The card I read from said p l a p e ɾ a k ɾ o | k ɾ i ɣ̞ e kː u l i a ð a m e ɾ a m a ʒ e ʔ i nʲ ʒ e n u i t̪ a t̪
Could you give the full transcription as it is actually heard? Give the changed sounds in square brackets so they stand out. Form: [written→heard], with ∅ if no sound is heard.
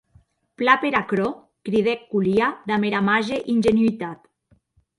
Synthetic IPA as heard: p l a p e ɾ a k ɾ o | k ɾ i [ɣ̞→ð̞] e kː u l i a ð a m e ɾ a m a ʒ e ʔ i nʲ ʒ e n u i t̪ a t̪